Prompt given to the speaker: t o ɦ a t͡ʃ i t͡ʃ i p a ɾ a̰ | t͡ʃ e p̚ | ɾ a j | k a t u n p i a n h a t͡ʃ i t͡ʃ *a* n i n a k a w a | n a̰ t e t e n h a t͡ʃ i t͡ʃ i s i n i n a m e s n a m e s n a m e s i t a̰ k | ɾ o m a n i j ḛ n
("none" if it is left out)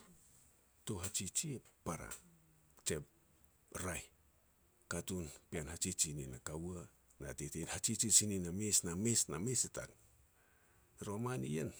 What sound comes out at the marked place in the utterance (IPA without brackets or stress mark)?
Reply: i